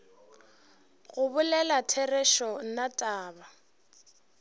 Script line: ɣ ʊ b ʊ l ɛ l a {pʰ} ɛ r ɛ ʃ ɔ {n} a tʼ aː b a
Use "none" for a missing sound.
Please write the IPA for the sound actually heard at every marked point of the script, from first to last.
tʰ, n

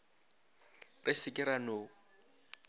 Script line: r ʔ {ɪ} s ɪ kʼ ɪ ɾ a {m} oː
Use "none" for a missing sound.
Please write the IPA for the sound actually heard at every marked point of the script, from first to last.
ɪ, n

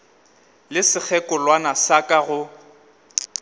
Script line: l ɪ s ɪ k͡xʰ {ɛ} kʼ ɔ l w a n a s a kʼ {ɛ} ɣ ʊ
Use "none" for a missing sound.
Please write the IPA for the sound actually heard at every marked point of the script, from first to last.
ɛ, a

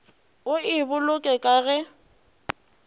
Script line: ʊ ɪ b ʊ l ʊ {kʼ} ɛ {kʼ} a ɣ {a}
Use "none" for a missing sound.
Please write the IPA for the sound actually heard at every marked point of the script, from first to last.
kʼ, kʼ, ɛ

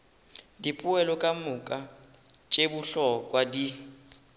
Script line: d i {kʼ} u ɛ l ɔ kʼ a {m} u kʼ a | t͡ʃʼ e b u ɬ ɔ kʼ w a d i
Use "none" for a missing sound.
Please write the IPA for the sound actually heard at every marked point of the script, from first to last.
pʼ, m

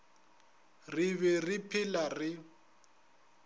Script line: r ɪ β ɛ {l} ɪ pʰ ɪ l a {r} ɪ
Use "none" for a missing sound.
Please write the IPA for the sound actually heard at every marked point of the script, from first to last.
r, r

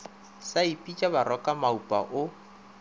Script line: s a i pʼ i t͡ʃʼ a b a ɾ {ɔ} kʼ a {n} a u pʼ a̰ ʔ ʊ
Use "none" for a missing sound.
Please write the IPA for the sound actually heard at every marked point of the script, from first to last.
ɔ, m

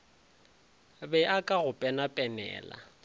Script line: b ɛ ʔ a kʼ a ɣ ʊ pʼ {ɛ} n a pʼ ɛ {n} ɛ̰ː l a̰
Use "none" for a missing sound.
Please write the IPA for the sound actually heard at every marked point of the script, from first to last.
ɛ, n

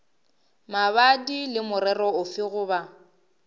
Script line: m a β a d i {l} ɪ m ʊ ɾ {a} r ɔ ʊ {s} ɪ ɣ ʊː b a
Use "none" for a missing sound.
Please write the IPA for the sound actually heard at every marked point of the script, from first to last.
l, ɛ, f

